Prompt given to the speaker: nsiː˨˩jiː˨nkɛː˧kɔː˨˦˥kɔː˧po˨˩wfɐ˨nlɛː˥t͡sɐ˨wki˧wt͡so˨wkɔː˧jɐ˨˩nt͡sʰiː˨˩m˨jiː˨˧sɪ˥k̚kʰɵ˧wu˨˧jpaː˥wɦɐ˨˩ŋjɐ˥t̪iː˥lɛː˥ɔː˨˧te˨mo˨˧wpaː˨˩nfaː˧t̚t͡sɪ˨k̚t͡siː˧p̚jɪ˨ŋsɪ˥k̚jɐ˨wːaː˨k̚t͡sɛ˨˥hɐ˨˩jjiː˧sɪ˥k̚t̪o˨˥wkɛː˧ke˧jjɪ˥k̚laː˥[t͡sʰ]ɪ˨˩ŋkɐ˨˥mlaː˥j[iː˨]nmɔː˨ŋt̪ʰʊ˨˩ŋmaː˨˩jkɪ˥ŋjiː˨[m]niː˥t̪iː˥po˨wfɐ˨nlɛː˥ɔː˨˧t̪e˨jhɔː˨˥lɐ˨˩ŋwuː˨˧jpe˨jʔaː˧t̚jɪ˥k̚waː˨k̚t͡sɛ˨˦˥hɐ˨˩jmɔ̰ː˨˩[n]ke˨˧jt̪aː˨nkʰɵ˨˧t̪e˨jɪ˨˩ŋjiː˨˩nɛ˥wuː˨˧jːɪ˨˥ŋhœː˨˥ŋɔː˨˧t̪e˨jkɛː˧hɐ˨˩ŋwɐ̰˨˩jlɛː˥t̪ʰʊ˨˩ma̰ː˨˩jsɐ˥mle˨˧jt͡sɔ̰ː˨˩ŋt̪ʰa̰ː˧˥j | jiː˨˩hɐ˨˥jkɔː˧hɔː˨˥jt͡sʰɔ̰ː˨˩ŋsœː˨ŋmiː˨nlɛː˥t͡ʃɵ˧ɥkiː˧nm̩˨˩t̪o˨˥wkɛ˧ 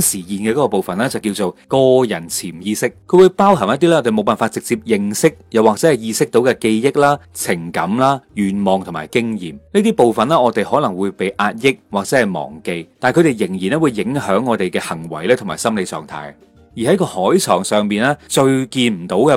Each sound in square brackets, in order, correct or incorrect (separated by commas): correct, incorrect, correct, incorrect